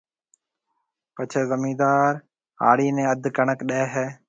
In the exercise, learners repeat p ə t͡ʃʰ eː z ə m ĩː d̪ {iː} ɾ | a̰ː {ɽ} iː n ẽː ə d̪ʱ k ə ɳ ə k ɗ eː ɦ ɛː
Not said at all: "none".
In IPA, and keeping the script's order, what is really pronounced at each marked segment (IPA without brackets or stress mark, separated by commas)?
aː, ɽ